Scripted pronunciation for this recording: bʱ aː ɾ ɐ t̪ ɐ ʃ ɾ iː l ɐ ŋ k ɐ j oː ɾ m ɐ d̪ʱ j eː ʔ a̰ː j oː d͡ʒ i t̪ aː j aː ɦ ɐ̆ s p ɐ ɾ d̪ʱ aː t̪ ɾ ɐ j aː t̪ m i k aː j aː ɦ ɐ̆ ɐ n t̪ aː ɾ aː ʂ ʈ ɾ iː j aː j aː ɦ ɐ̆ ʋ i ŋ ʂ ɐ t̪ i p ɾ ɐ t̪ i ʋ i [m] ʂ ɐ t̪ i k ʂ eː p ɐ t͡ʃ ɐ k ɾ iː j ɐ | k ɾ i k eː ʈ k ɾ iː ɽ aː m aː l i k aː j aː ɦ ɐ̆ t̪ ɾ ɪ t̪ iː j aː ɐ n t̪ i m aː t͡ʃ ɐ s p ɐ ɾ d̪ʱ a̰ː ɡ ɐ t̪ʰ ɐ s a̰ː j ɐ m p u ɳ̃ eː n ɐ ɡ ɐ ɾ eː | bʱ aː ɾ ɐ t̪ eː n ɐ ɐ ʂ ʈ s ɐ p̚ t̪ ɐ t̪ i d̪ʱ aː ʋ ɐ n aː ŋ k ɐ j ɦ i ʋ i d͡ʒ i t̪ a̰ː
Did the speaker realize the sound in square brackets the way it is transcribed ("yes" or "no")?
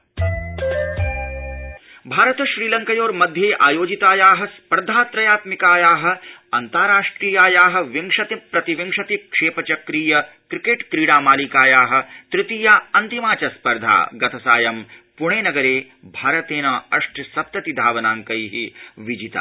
no